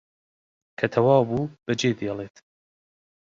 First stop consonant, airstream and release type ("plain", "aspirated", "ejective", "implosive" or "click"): aspirated